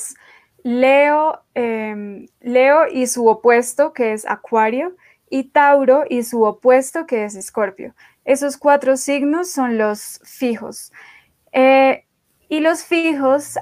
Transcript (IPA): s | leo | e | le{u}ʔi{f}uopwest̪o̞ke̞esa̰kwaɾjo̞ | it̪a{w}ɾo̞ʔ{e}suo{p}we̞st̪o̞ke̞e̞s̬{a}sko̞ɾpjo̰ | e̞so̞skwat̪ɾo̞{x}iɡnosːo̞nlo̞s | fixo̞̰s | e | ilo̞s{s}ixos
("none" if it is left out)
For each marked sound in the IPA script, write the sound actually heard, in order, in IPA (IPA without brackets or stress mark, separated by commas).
o, s, w, i, p, e, s, f